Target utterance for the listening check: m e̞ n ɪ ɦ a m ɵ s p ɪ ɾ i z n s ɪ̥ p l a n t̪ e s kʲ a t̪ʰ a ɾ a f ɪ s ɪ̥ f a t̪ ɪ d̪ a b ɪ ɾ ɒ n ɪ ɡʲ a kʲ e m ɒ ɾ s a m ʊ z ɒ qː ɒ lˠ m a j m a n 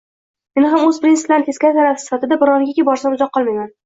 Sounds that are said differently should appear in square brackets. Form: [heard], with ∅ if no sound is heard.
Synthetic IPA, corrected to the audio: m e̞ n ɪ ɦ a m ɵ [z] p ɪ ɾ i [∅] n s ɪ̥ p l a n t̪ e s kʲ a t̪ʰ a ɾ a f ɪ s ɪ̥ f a t̪ ɪ d̪ a b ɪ ɾ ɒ n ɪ ɡʲ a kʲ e [b] ɒ ɾ s a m ʊ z ɒ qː ɒ lˠ m a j m a n